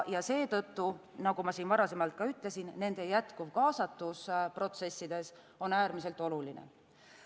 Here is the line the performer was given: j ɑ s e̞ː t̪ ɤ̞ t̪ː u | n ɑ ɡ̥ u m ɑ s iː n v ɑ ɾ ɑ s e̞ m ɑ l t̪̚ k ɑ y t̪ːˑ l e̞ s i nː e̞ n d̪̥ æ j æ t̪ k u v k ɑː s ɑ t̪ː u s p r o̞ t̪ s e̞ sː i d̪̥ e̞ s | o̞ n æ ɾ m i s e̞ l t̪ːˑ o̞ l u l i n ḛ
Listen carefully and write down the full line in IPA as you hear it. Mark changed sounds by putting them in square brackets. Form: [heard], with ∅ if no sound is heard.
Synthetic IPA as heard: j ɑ s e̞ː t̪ ɤ̞ t̪ː u | n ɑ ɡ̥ u m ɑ s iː n v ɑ ɾ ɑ s e̞ m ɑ l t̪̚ k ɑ y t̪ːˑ l e̞ s i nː e̞ n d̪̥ [e] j æ t̪ k u v k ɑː s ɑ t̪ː u s p r o̞ t̪ s e̞ sː i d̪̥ e̞ s | o̞ n [æː] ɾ m i s e̞ l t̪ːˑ o̞ l u l i n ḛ